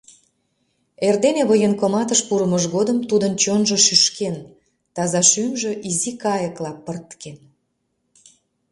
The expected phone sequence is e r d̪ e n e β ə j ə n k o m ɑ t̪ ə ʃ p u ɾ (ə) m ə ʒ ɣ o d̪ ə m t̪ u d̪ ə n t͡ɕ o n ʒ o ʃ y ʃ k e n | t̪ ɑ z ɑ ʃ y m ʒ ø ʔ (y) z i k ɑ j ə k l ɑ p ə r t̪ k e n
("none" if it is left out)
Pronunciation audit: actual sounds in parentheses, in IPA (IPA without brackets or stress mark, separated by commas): ə, i